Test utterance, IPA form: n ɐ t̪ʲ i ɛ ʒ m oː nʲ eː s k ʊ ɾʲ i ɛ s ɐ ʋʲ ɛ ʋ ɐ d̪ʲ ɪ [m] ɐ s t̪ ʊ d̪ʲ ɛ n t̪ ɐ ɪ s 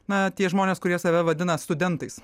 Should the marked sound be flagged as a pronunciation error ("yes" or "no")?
yes